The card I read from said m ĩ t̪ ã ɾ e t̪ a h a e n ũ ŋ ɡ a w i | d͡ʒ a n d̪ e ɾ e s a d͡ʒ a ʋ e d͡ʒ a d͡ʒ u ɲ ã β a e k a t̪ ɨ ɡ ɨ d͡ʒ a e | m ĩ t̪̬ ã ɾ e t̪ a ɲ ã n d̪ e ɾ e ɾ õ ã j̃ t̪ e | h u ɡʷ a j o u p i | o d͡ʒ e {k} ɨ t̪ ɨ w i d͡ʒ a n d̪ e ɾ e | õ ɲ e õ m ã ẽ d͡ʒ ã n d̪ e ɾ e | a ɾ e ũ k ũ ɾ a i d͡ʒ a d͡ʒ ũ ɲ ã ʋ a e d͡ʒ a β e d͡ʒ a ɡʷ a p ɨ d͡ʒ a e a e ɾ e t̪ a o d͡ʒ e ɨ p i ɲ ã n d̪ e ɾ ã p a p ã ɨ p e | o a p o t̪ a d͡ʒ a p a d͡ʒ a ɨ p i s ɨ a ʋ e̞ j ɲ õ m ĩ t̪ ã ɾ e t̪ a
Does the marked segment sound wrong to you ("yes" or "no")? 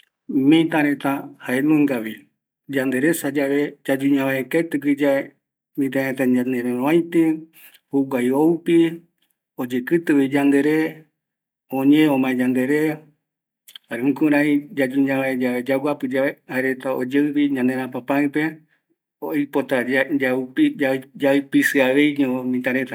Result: no